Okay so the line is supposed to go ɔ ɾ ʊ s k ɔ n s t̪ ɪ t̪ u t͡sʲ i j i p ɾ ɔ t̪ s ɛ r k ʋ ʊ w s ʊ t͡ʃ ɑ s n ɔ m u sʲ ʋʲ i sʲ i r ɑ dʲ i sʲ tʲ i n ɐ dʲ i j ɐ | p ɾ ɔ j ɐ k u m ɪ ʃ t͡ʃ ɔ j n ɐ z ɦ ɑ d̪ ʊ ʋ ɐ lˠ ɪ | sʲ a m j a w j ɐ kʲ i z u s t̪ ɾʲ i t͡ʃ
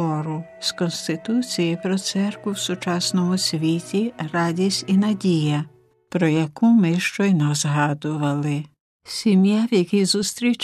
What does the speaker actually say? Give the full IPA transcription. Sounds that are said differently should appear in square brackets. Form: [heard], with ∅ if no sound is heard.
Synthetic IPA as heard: ɔ ɾ ʊ s k ɔ n s t̪ ɪ t̪ u t͡sʲ i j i p ɾ ɔ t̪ s ɛ r k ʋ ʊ w s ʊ t͡ʃ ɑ s n ɔ m [ʊ] sʲ ʋʲ i [tʲ] i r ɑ dʲ i sʲ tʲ i n ɐ dʲ i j ɐ | p ɾ ɔ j ɐ k u m ɪ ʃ t͡ʃ ɔ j n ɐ z ɦ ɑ d̪ ʊ ʋ ɐ lˠ ɪ | sʲ [i] m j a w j ɐ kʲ i z u s t̪ ɾʲ i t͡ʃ